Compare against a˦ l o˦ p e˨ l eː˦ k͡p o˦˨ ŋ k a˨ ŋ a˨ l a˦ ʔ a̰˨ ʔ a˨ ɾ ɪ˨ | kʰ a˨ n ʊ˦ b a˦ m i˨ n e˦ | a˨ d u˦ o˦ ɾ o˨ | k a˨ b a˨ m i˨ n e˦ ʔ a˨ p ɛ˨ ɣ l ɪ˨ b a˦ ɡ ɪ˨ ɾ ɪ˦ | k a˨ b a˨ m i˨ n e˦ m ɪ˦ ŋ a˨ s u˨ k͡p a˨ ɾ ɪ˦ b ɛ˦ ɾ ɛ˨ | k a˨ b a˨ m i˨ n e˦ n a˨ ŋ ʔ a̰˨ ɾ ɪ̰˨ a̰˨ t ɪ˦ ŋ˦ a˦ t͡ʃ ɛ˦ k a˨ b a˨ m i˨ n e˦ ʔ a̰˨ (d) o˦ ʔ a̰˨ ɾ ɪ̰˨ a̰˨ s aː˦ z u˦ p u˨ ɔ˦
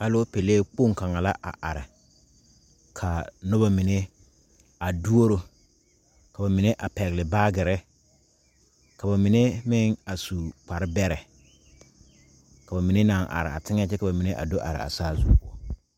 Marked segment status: correct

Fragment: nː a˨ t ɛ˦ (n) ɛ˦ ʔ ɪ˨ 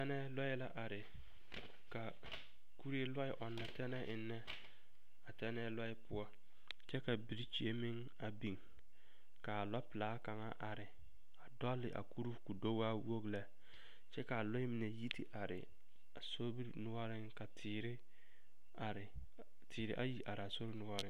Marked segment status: correct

